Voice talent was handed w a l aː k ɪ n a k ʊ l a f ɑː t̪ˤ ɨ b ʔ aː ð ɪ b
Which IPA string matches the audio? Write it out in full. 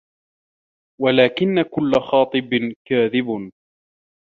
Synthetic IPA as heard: w a l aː k ɪ nː a k ʊ lː a x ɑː t̪ˤ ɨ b k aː ð ɪ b